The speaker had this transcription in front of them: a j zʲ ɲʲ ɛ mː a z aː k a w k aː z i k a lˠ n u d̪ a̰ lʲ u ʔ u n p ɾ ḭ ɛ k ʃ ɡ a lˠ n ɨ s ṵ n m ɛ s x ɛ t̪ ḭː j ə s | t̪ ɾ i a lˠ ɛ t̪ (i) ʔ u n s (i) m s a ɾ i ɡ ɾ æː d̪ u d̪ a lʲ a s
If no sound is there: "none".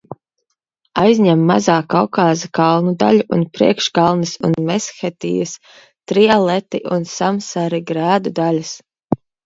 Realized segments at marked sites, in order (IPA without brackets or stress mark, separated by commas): i, a